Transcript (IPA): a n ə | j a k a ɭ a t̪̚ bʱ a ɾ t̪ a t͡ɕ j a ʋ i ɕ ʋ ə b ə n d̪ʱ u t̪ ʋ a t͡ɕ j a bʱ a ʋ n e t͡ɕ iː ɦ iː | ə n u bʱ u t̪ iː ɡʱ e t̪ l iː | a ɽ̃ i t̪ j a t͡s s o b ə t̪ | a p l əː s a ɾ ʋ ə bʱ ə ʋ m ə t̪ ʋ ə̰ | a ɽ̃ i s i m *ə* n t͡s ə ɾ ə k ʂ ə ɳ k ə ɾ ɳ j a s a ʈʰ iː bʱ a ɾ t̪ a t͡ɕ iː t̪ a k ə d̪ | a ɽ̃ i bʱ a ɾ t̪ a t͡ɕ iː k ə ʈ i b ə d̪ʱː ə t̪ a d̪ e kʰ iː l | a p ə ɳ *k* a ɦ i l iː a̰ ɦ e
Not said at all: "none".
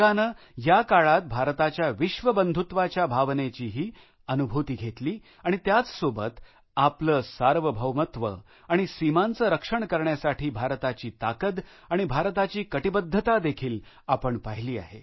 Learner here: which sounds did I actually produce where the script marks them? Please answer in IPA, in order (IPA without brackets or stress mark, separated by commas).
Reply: a, p